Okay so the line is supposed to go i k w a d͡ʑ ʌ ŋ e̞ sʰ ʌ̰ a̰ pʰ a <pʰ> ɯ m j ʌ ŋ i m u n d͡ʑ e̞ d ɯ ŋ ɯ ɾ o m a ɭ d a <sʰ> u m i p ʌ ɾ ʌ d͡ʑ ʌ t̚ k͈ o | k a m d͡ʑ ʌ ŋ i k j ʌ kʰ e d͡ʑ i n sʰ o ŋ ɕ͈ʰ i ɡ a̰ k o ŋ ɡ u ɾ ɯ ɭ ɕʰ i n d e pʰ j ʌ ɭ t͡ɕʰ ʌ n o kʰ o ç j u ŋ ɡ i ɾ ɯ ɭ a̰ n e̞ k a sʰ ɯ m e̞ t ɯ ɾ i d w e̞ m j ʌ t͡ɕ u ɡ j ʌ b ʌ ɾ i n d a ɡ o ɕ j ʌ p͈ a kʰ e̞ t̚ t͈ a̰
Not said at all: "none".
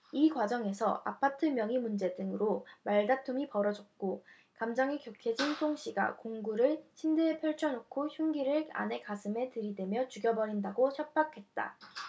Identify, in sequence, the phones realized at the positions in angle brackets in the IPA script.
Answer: tʰ, tʰ

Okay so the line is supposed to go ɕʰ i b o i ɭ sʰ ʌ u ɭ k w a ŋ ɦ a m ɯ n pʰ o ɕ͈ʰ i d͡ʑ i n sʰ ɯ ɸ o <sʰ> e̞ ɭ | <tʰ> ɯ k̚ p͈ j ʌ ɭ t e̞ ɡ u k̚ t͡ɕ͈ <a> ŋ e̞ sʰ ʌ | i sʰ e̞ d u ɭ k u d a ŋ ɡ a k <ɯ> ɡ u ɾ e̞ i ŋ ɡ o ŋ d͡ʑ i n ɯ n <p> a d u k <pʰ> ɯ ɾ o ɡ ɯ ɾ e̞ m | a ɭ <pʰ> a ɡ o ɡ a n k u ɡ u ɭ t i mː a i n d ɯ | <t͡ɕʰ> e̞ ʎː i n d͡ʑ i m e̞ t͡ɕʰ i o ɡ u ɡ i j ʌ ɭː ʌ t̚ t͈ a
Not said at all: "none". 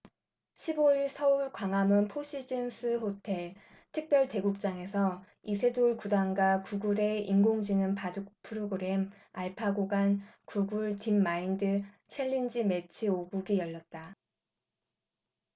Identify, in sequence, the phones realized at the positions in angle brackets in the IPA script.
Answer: tʰ, tʰ, a, u, p, pʰ, pʰ, t͡ɕʰ

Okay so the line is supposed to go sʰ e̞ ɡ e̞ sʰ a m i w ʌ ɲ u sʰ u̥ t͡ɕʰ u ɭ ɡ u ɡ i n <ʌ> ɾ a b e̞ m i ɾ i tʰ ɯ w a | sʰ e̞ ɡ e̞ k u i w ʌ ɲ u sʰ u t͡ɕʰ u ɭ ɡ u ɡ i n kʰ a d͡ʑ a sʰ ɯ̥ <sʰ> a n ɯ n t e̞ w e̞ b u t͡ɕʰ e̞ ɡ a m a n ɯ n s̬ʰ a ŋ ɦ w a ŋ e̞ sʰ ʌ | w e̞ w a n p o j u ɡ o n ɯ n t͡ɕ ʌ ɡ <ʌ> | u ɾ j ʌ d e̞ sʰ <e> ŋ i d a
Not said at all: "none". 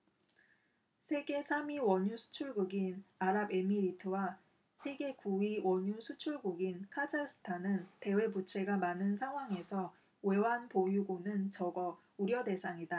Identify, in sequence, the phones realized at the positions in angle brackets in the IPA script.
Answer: a, tʰ, ʌ, a

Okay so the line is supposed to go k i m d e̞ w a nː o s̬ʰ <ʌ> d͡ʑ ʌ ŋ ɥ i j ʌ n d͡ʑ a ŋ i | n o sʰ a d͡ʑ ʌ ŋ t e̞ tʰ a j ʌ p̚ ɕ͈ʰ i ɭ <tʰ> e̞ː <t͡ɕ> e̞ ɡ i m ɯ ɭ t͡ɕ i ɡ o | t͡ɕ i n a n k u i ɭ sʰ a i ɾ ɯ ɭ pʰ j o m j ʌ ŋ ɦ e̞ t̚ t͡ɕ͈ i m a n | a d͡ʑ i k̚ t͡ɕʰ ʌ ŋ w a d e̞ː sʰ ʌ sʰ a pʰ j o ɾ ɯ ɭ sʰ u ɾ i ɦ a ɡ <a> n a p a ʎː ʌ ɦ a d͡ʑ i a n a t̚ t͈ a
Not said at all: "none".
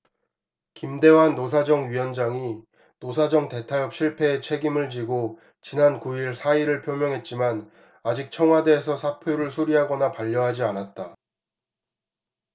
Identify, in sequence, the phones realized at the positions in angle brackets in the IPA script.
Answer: a, pʰ, t͡ɕʰ, ʌ

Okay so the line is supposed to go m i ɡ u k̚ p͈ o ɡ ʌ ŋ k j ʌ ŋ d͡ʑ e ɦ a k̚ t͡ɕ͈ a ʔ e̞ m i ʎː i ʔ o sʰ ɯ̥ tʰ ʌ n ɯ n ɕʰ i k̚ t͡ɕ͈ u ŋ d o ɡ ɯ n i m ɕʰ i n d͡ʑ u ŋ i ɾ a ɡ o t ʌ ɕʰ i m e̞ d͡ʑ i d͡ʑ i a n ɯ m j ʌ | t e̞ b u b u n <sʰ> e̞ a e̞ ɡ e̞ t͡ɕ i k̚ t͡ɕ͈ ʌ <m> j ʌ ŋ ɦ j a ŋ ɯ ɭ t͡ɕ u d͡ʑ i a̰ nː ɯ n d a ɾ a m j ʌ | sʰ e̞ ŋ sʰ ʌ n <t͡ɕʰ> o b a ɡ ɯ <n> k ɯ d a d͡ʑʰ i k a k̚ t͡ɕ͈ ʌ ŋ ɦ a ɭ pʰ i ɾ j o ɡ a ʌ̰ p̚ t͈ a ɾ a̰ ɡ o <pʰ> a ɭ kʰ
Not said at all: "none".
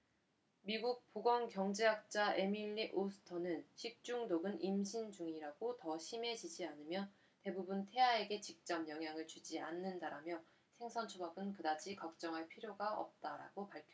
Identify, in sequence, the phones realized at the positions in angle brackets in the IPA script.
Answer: tʰ, m, t͡ɕʰ, n, p

